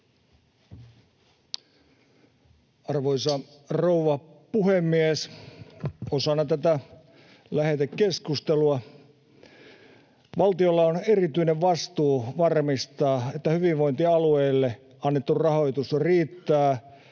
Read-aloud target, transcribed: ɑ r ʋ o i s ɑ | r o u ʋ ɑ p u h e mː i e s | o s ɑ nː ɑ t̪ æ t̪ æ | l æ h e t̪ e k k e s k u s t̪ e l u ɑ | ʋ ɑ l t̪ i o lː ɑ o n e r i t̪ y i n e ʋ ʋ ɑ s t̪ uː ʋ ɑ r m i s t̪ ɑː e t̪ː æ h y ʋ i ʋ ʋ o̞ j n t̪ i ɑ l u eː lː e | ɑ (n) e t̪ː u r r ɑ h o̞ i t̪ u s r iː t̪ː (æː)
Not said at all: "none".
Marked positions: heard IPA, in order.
nː, æː

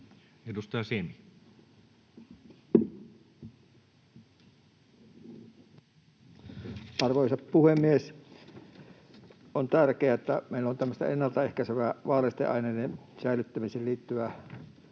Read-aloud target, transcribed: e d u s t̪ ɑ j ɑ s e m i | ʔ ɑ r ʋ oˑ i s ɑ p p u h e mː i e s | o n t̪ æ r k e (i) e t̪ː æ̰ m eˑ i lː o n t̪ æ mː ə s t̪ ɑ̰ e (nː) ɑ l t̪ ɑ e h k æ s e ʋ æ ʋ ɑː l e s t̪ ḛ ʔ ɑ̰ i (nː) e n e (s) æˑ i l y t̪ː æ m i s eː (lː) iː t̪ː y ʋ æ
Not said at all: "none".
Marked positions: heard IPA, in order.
æ, nː, n, s, l

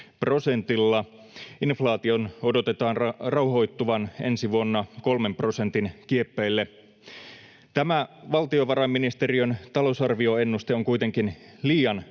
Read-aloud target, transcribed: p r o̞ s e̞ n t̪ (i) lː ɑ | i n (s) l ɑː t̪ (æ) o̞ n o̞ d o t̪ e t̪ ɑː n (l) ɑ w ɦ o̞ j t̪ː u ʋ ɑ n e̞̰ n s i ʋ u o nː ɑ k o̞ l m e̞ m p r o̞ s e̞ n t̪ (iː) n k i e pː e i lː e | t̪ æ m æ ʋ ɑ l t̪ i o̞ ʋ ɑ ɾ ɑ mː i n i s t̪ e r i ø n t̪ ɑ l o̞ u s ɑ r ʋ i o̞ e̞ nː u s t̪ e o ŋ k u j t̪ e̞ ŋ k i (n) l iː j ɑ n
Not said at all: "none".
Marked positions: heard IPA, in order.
i, f, i, r, i, n

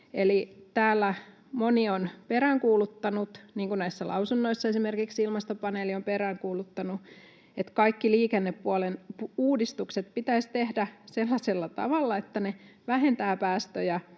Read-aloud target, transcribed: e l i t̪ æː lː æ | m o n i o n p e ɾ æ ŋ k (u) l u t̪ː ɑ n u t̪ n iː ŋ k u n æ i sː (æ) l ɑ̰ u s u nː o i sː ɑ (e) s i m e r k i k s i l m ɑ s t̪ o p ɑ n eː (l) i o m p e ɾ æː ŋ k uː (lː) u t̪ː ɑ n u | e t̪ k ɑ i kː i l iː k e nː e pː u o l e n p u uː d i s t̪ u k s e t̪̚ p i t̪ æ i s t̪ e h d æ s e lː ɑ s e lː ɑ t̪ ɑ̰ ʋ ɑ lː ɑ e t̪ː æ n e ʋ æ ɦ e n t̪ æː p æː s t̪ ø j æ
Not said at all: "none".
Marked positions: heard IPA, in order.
uː, æ, e, l, l

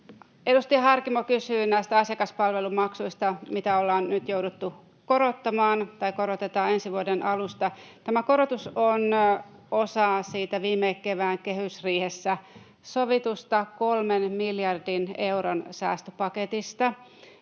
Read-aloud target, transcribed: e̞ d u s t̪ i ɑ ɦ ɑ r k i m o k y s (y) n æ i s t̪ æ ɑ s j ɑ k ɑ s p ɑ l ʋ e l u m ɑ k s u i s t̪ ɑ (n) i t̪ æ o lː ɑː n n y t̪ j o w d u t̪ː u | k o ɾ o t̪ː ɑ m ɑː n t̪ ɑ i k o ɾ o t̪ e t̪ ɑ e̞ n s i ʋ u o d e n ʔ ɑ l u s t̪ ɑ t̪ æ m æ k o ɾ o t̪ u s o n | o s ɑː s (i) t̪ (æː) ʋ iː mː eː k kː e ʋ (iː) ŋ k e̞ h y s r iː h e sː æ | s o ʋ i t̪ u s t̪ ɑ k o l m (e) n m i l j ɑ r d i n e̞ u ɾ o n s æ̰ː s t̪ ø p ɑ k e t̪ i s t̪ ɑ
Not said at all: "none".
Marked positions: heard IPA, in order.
yː, m, iː, æ, æː, e

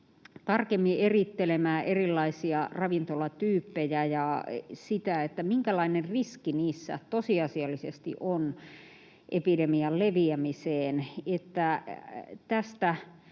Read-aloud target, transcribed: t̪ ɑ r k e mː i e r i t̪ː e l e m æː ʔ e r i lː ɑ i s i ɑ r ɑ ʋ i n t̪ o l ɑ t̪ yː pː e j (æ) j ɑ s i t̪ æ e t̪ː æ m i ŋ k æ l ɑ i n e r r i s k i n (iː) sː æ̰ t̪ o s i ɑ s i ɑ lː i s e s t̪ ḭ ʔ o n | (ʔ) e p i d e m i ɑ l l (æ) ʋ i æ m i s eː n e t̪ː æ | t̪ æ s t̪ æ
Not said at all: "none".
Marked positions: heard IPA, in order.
æ, iː, ʔ, e

